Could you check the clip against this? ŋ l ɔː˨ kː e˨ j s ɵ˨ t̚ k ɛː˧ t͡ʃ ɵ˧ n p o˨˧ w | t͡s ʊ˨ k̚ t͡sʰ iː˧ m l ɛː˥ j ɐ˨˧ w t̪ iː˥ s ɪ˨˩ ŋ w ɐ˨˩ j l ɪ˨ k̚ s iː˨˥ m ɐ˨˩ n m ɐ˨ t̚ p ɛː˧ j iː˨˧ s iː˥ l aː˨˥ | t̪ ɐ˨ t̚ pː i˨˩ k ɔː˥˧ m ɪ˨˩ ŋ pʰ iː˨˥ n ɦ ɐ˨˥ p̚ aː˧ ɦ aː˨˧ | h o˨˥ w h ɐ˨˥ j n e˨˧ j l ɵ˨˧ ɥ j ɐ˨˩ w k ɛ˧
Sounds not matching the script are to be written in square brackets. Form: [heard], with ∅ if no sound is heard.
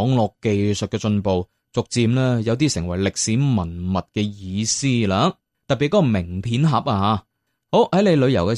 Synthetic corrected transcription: ŋ l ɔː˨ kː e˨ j s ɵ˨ t̚ k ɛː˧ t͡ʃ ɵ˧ n p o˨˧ w | t͡s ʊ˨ k̚ [t͡s] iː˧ m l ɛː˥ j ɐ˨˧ w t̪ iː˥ s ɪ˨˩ ŋ w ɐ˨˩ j l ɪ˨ k̚ s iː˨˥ m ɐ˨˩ n m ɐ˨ t̚ [k] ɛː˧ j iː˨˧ s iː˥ l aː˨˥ | t̪ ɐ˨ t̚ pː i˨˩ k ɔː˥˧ m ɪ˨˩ ŋ pʰ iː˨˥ n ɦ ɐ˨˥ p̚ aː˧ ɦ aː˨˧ | h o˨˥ w h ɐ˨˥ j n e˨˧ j l ɵ˨˧ ɥ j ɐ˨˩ w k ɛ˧